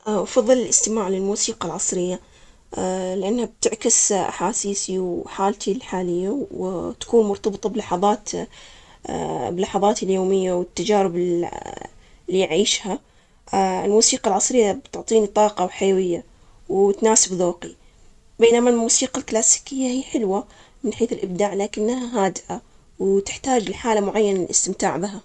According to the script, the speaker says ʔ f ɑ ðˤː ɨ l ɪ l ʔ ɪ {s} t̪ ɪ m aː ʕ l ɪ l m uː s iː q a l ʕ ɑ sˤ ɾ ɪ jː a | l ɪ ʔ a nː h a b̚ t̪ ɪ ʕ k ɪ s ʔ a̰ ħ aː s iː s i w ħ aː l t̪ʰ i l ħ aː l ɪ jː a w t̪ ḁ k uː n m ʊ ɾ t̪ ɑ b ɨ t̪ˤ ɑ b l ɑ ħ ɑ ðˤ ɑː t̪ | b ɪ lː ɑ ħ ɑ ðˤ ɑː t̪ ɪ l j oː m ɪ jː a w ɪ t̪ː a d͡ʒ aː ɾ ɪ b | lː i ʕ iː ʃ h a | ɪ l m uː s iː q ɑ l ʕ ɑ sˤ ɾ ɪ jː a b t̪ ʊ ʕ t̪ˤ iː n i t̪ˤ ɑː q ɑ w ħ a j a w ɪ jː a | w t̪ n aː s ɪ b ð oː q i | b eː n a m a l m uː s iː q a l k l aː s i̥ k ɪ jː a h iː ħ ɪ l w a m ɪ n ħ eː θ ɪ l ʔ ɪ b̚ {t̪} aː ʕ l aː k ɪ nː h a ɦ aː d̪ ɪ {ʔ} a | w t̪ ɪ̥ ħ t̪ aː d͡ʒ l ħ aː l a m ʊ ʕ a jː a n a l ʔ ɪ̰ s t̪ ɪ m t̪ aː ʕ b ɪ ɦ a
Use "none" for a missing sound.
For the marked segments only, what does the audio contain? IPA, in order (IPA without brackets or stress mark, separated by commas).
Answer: s, d̪, ʔ